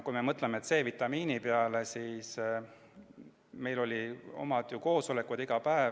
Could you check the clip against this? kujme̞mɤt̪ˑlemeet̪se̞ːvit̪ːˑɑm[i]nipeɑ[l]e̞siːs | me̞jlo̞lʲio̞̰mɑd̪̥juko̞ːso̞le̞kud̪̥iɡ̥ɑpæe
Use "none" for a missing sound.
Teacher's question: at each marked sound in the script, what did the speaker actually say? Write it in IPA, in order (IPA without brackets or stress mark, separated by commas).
iː, l